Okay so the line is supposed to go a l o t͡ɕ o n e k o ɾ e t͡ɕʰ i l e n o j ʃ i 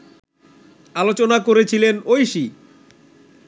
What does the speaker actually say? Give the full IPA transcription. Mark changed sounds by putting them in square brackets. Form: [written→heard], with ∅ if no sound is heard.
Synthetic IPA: a l o t͡ɕ o n [e→a] k o ɾ e t͡ɕʰ i l e n o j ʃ i